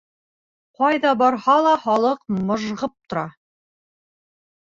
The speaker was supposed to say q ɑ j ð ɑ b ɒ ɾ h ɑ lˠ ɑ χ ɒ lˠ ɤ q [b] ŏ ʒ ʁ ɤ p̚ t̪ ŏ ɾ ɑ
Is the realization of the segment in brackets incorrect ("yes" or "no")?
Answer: yes